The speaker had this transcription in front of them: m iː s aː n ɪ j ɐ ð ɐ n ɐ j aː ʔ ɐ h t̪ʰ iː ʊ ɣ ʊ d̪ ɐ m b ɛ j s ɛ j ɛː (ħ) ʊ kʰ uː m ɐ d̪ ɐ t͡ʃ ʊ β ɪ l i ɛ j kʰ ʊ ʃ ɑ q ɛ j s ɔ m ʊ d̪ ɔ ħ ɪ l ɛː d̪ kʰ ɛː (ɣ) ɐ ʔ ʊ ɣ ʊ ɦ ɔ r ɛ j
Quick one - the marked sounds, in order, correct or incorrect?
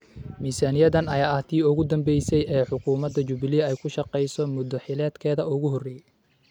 correct, incorrect: ð

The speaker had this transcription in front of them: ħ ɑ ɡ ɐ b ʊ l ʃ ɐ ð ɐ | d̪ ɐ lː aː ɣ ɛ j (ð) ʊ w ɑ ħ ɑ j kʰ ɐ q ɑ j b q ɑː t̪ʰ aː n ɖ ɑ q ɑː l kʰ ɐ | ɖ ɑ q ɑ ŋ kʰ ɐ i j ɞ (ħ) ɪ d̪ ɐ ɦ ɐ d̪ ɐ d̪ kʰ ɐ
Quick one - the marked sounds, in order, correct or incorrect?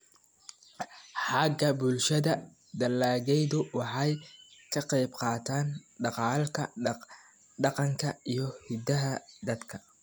correct, incorrect: h

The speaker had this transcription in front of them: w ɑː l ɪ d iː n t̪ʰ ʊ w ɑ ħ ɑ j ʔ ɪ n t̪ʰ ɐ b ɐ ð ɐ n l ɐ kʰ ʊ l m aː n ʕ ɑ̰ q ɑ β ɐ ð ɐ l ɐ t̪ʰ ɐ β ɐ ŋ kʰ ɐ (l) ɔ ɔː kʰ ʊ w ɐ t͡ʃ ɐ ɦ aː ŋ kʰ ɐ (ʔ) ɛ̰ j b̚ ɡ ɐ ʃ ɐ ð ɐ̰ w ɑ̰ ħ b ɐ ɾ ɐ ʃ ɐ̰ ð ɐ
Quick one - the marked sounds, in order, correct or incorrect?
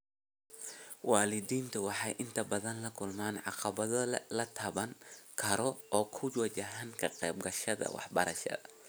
incorrect: ɾ, incorrect: q

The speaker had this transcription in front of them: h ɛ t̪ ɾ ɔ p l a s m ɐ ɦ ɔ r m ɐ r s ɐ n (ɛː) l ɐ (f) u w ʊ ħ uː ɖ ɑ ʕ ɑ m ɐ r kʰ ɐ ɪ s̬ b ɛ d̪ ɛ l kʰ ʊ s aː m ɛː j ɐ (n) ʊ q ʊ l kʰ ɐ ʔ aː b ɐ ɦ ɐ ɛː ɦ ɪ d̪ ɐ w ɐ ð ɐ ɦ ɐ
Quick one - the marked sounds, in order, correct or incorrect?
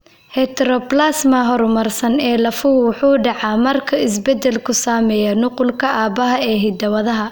correct, correct, correct

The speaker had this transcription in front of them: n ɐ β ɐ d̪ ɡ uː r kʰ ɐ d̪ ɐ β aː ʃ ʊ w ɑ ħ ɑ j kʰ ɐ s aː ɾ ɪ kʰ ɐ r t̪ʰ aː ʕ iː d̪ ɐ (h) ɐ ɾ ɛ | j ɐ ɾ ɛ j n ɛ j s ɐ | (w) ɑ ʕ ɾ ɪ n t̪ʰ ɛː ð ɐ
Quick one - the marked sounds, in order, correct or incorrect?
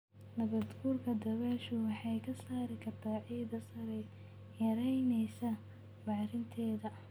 incorrect: s, incorrect: b

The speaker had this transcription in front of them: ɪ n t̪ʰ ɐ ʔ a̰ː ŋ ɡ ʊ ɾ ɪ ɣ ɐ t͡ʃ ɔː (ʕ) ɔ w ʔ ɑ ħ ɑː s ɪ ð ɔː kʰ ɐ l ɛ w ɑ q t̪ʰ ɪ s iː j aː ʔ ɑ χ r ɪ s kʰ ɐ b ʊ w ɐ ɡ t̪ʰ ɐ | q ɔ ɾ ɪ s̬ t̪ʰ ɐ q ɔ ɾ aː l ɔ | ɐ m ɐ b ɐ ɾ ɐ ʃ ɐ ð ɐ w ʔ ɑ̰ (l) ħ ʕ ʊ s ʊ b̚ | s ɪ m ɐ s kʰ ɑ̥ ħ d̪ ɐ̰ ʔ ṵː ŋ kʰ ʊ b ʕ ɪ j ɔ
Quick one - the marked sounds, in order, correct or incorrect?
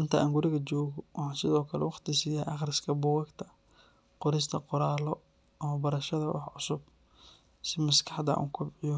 incorrect: ɣ, incorrect: none

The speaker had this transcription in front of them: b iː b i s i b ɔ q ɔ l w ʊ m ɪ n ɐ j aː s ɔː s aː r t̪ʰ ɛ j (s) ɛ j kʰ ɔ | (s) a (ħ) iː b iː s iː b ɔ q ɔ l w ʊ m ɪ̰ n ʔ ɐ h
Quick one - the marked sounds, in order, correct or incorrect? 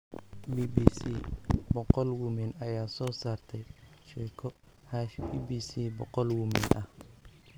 incorrect: ʃ, incorrect: h, incorrect: ʃ

